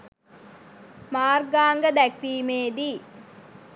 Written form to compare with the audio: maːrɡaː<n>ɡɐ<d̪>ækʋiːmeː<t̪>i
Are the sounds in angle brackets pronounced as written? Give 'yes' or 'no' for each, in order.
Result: no, yes, no

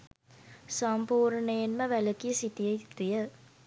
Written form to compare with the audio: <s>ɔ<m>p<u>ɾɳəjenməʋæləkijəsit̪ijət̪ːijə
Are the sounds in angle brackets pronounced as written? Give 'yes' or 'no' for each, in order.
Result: yes, yes, no

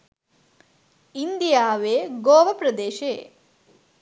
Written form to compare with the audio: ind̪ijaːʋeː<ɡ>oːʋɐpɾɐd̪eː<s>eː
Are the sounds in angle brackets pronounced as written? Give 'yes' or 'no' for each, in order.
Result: yes, no

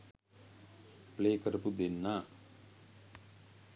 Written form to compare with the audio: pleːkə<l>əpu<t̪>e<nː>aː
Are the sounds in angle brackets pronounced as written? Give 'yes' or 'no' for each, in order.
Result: no, no, yes

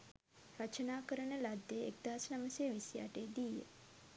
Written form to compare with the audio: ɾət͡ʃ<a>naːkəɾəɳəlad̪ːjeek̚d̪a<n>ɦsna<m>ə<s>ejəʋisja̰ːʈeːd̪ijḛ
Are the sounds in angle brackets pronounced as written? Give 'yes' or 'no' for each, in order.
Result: no, no, yes, yes

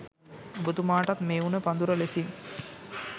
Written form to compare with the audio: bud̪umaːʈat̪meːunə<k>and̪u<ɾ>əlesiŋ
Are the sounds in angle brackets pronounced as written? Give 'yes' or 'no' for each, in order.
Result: no, yes

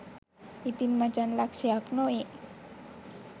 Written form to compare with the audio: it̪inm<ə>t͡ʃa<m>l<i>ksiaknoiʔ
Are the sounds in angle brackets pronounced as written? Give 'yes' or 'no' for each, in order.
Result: no, no, no

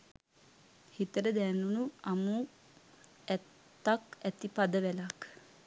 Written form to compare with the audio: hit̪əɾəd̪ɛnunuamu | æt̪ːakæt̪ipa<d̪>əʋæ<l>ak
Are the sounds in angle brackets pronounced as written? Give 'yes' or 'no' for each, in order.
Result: yes, yes

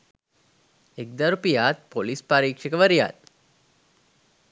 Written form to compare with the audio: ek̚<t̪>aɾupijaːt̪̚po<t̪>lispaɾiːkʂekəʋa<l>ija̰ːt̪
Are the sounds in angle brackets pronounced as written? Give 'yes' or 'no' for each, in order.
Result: no, no, no

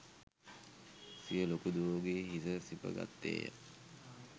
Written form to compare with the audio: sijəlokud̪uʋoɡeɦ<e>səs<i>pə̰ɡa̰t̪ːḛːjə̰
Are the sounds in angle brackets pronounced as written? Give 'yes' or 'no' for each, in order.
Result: no, yes

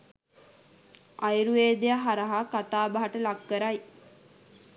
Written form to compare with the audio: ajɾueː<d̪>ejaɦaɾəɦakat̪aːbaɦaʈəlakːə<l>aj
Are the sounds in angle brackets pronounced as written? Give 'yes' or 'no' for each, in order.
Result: yes, no

